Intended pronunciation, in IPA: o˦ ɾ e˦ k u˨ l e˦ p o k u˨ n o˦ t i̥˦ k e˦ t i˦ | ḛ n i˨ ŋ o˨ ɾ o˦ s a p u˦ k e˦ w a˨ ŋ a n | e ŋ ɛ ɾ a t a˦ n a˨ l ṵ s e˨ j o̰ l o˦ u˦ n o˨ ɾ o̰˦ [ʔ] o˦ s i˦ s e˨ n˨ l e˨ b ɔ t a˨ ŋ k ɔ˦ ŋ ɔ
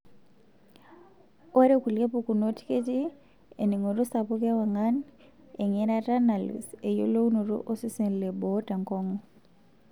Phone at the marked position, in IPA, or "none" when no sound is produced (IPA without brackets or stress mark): ʔ